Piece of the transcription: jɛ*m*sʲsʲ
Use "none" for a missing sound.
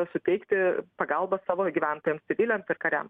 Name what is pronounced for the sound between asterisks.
m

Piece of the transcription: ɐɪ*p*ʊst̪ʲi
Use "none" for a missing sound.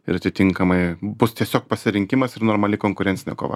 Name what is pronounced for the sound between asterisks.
b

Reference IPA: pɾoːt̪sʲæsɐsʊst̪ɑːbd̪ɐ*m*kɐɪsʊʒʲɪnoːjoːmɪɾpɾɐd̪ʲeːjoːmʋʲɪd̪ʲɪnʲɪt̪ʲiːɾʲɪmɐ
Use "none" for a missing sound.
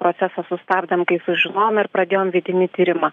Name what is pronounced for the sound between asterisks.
m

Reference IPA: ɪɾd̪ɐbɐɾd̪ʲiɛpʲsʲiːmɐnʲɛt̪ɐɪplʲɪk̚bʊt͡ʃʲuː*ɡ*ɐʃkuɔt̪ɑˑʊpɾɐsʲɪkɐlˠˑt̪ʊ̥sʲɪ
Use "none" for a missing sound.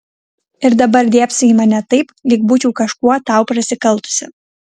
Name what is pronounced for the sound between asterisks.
k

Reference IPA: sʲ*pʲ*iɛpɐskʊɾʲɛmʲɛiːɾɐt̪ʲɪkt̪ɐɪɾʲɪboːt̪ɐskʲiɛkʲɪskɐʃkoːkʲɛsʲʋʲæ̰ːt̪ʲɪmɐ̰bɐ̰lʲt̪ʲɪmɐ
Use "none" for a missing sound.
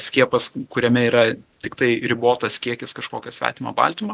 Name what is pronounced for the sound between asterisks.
kʲ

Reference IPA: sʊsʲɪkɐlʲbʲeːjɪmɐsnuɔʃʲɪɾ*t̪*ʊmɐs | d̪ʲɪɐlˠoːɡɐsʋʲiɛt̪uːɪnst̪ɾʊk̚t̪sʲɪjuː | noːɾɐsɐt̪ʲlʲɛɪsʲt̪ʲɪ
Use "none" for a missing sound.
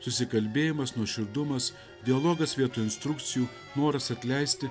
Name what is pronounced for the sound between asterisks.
d̪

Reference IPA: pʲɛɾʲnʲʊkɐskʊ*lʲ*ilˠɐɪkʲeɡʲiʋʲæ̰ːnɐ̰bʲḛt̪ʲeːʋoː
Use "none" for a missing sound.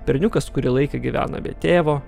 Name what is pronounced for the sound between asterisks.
ɾʲ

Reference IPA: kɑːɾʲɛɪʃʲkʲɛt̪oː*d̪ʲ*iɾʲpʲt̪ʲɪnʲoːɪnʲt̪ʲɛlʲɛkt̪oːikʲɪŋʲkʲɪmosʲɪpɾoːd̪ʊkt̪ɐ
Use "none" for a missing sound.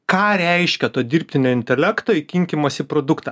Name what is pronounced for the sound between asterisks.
d̪ʲ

